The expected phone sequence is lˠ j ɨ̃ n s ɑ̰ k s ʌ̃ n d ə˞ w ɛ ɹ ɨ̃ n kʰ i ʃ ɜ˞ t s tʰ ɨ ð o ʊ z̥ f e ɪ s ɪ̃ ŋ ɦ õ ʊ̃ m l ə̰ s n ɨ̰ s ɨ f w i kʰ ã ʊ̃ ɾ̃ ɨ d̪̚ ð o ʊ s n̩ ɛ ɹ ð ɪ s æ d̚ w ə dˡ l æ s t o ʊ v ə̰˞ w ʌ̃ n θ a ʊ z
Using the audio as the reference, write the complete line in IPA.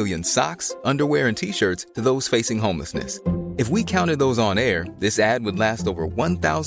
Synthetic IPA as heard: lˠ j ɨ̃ n s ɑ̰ k s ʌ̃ n d ə˞ w ɛ ɹ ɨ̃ n tʰ i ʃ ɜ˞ t s tʰ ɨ ð o ʊ z̥ f e ɪ s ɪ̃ ŋ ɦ õ ʊ̃ m l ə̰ s n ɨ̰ s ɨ f w i kʰ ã ʊ̃ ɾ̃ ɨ d̪̚ ð o ʊ z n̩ ɛ ɹ ð ɪ s æ d̚ w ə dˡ l æ s t o ʊ v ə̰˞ w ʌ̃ n θ a ʊ z